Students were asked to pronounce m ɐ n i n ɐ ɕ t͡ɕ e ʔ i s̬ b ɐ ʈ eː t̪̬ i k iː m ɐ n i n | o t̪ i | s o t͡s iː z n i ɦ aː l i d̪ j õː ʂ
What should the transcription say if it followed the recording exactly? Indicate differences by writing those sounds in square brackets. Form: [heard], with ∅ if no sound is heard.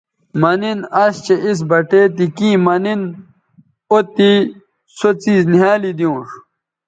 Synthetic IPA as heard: m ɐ n i n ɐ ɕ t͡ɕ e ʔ i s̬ b ɐ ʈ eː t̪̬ i k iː m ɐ n i n | o t̪ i | s o t͡s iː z n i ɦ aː l i d̪ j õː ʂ